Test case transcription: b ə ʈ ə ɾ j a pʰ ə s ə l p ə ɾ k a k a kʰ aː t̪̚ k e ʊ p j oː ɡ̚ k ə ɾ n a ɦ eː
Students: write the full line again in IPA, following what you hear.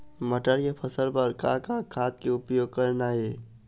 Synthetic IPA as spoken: m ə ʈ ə ɾ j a pʰ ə s ə l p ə ɾ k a k a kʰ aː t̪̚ k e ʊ p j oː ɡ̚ k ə ɾ n a ɦ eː